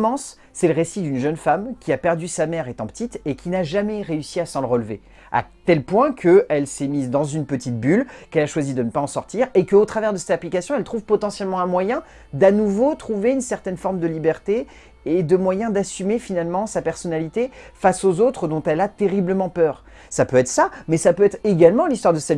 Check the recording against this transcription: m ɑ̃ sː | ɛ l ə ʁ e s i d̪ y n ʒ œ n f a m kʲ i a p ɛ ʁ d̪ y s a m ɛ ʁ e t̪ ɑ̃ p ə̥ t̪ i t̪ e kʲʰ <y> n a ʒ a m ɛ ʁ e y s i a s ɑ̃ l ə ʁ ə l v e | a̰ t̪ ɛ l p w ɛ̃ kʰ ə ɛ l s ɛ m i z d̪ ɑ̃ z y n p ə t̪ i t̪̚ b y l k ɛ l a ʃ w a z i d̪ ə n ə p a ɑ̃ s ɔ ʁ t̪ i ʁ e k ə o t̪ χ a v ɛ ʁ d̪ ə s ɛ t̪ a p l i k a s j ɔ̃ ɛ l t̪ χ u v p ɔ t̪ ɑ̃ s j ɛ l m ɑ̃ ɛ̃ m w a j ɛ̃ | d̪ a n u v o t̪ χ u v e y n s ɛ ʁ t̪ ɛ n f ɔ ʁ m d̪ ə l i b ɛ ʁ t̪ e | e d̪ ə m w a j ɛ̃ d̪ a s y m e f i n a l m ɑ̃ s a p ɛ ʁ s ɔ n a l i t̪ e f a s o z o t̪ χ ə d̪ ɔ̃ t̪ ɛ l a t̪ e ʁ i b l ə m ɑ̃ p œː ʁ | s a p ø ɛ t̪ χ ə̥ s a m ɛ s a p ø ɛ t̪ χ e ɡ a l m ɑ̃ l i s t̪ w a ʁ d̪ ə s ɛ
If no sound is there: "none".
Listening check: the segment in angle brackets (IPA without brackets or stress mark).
i